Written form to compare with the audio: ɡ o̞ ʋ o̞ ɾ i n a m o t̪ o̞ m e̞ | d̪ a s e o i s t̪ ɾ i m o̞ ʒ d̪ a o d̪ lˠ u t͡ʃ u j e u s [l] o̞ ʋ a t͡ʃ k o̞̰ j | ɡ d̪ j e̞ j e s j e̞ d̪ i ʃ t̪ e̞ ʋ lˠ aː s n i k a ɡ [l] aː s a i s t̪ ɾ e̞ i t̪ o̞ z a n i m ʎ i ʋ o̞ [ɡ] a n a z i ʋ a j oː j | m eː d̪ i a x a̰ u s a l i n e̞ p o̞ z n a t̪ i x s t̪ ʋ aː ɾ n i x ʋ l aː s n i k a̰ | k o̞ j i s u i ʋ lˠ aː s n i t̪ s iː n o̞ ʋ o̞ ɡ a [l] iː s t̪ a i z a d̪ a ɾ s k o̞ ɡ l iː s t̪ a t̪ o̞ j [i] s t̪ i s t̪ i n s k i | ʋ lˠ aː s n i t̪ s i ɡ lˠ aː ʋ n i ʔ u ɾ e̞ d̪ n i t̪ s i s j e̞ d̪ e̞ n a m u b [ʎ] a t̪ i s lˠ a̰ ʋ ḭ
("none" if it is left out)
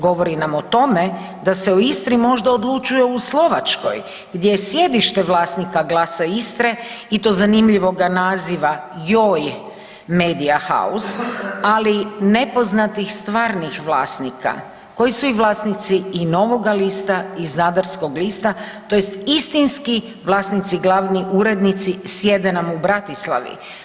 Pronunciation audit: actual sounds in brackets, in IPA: l, l, ɡ, l, e, ɾ

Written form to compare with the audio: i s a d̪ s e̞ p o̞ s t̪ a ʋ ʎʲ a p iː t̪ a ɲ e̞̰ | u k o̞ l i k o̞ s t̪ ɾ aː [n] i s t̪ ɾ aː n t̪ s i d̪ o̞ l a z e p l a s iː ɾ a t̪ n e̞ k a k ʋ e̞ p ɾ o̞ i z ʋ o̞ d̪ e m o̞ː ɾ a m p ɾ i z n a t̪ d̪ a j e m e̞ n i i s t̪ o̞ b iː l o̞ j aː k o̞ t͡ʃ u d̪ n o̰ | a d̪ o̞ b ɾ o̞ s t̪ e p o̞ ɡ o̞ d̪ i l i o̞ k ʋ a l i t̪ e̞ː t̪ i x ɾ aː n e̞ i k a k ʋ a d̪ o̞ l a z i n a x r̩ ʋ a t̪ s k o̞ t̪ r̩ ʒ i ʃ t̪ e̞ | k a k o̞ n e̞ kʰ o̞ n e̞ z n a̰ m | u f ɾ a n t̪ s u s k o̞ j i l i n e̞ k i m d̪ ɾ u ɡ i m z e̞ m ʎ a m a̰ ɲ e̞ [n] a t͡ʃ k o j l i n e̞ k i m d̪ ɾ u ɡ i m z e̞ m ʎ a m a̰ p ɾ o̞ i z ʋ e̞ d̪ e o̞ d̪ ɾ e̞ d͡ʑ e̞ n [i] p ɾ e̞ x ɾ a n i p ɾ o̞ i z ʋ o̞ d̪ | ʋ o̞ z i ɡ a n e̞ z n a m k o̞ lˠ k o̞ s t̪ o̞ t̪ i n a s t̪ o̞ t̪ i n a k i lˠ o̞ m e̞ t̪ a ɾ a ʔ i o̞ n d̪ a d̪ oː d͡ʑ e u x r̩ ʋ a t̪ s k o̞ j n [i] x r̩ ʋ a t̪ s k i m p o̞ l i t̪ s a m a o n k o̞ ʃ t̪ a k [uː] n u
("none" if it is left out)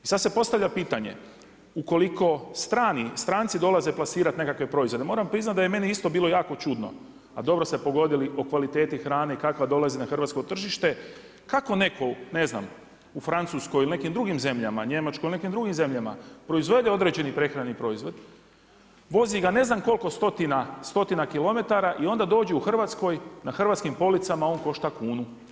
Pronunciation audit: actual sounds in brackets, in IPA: n, m, i, a, uː

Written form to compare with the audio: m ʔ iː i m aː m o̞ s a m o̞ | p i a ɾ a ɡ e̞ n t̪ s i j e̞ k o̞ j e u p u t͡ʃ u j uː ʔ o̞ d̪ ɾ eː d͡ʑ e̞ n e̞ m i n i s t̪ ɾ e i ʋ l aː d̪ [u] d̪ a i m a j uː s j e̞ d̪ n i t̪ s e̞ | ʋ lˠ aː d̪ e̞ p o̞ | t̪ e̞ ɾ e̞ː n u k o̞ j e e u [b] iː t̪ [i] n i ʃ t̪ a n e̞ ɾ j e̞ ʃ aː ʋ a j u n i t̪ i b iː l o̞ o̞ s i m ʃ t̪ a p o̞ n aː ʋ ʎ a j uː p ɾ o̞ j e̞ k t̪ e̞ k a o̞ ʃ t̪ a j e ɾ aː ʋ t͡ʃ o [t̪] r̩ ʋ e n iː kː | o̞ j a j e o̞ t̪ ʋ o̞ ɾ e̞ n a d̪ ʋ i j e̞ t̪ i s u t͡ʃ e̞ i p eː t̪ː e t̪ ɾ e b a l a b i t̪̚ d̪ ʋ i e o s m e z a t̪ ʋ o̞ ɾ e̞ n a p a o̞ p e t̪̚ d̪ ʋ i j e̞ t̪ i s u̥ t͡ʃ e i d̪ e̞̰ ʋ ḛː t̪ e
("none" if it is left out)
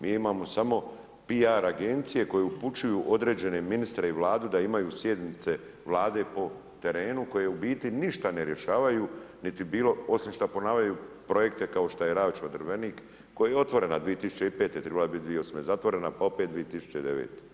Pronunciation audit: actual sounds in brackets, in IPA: u, b, i, d̪

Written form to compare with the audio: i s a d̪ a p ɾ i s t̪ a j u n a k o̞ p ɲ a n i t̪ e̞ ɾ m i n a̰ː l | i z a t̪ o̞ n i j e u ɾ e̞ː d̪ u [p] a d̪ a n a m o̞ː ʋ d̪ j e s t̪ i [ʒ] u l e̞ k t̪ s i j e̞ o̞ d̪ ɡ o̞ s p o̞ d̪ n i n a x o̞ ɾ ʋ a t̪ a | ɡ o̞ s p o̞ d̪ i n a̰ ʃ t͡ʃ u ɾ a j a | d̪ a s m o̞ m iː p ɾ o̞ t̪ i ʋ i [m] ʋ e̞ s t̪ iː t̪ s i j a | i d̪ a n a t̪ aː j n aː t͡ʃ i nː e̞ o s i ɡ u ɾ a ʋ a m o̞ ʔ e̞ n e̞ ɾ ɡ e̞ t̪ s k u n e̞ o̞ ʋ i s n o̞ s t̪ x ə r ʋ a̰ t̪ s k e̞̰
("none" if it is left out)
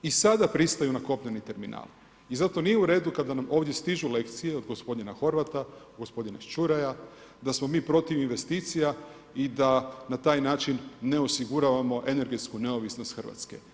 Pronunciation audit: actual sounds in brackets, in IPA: k, ʒ, n

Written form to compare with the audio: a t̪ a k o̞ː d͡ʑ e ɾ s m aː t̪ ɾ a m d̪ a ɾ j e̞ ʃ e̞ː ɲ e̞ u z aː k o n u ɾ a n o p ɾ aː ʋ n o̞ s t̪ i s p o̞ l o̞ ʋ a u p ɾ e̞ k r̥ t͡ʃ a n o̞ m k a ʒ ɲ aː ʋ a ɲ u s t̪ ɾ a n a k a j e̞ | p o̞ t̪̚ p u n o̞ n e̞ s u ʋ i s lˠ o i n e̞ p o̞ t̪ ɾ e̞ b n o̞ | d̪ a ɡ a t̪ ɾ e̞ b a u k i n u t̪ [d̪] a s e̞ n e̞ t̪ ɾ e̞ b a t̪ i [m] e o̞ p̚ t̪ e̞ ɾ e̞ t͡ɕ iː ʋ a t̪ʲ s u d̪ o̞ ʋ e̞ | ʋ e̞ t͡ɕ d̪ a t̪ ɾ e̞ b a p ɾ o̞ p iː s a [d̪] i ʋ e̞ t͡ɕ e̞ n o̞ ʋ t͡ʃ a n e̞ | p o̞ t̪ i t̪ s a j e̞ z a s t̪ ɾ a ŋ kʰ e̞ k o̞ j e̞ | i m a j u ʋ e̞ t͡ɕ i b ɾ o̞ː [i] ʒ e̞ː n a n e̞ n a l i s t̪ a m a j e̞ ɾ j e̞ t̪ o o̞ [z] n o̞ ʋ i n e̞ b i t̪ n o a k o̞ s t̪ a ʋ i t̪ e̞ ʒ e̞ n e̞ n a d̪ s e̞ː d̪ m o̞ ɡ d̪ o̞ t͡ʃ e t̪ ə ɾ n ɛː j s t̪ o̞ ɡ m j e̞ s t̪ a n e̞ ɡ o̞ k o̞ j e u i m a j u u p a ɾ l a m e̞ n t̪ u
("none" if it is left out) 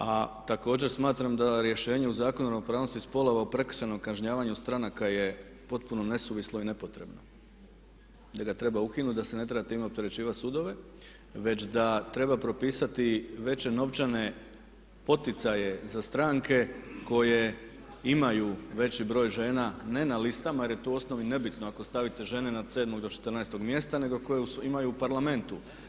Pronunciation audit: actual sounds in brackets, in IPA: d̪, m, t̪, j, s

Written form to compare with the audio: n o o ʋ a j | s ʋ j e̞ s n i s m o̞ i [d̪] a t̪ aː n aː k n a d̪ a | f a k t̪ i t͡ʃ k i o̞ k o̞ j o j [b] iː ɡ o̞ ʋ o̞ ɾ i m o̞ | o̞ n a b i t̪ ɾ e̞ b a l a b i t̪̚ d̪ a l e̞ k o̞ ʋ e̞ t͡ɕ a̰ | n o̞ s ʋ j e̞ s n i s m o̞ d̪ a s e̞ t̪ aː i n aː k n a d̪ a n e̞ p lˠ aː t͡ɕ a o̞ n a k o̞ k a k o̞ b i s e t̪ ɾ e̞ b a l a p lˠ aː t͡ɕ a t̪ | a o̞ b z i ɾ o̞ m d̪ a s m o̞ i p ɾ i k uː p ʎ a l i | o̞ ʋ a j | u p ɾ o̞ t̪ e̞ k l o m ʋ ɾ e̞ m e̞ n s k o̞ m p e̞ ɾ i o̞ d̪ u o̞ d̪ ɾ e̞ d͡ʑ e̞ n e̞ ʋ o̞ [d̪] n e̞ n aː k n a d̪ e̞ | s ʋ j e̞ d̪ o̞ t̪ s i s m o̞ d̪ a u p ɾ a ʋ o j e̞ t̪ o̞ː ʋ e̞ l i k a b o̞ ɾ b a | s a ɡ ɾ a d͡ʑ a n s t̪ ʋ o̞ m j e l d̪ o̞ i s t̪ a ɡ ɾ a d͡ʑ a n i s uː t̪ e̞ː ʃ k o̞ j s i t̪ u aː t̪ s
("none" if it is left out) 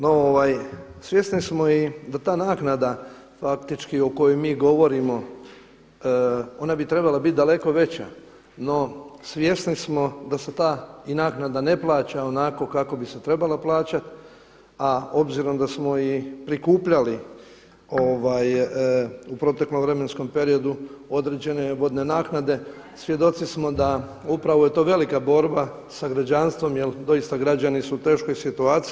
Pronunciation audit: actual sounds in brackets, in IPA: d̪, m, d̪

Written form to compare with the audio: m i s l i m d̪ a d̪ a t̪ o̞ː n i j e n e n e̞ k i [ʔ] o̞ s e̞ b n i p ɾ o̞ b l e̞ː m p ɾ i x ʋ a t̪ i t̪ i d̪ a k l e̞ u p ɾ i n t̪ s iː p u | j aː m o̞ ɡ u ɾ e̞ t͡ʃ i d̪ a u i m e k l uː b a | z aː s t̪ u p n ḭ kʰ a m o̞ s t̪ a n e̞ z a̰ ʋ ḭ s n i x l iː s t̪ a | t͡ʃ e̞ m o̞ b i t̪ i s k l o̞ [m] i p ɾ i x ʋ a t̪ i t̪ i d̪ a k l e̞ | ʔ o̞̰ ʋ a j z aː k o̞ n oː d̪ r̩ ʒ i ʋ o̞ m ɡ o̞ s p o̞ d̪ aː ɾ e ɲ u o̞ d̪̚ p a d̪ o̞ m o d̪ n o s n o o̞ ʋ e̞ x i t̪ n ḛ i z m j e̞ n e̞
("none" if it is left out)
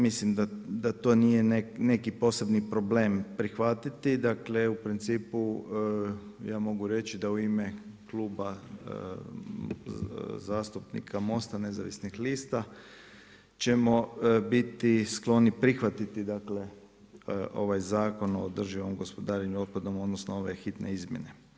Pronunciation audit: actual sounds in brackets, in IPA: p, n

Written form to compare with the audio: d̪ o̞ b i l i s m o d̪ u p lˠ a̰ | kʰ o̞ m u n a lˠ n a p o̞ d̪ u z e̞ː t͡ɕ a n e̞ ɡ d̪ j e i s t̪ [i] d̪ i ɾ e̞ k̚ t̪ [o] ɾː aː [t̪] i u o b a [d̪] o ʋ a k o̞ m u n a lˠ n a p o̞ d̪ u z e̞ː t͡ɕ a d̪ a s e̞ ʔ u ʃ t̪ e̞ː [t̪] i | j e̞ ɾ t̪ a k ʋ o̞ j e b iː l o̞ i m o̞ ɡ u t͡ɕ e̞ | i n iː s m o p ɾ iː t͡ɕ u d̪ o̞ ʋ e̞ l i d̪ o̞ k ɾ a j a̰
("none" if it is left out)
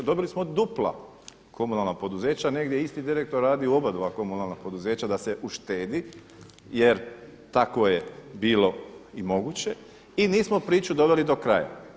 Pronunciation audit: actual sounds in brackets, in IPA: i, o, d̪, d̪, d̪

